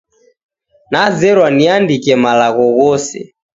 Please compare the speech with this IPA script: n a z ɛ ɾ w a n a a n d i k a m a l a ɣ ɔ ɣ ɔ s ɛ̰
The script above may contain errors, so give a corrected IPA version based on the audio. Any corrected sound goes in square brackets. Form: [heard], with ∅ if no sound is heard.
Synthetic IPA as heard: n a z ɛ ɾ w a n [i] a n d i k [ɛ] m a l a ɣ ɔ ɣ ɔ s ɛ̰